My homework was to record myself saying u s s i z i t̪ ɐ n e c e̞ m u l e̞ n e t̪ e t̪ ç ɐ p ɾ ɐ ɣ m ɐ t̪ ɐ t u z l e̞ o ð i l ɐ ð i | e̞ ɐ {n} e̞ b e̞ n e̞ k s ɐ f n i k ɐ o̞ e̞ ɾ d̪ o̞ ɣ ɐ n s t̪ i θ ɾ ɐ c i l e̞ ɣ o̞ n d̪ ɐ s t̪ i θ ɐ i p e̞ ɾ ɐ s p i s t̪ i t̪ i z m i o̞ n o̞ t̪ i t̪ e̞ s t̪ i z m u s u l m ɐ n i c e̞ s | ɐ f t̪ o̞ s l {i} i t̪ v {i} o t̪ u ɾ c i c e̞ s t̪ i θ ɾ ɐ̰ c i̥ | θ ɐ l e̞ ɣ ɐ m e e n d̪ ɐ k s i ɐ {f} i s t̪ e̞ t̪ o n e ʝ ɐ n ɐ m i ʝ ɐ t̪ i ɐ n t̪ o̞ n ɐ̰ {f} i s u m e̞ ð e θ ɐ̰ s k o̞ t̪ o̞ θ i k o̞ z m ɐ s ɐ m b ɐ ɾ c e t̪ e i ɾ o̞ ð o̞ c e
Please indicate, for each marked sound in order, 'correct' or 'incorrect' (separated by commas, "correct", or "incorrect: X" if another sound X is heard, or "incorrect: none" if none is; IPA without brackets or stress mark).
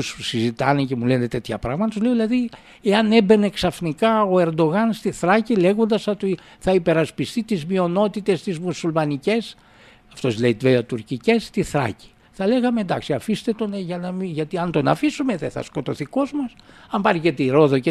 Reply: correct, incorrect: e, incorrect: e, correct, correct